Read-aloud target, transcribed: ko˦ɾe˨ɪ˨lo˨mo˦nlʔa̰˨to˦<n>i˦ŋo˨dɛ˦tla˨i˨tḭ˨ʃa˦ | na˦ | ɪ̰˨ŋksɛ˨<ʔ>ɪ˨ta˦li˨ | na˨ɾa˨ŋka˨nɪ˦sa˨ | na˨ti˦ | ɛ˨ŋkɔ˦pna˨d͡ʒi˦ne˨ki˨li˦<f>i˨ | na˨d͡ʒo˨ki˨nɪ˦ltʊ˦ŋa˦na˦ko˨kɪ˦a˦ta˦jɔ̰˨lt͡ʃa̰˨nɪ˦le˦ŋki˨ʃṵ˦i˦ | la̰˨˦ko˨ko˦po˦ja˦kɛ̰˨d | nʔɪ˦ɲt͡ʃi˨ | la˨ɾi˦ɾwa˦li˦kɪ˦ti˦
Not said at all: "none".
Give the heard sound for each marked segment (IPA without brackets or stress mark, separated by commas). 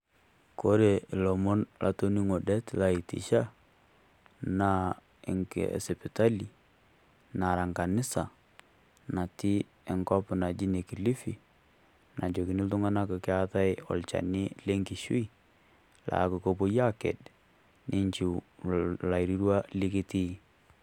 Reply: n, p, f